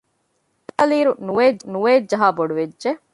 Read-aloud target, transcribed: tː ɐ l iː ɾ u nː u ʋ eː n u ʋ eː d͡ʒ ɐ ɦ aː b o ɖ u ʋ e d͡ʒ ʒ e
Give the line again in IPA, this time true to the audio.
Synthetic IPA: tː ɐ l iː ɾ u n u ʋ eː n u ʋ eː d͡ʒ ɐ ɦ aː b o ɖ u ʋ e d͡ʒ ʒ e